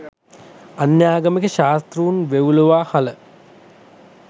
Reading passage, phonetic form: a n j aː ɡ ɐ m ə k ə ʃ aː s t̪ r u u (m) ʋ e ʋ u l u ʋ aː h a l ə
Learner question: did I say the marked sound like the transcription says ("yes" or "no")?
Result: no